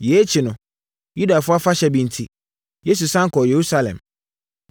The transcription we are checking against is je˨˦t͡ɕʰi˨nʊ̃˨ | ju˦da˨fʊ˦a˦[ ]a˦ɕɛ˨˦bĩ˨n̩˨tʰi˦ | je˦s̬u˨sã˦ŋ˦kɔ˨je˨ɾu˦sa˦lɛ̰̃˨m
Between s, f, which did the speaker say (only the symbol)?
f